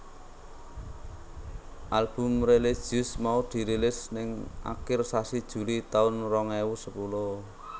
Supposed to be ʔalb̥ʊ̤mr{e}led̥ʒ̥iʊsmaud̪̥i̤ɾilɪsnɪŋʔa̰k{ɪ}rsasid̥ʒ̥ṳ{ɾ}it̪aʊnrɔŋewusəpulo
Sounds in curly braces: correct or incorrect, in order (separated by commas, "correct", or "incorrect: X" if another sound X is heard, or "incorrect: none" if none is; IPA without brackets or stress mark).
correct, correct, incorrect: l